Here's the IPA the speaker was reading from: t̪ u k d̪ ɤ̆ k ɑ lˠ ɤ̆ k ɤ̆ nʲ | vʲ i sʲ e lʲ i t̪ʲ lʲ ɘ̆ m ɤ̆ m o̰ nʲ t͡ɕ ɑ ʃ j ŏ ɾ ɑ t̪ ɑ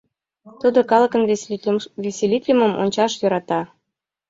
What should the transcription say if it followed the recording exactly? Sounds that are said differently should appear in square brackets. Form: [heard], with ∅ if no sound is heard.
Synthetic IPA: t̪ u [∅] d̪ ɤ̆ k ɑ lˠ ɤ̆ k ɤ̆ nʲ | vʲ [e] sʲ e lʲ i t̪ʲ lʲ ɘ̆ m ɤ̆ m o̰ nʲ t͡ɕ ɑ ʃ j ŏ ɾ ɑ t̪ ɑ